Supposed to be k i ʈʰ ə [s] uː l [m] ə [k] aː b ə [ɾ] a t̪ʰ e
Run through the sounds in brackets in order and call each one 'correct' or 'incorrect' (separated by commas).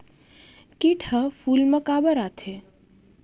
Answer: incorrect, correct, correct, correct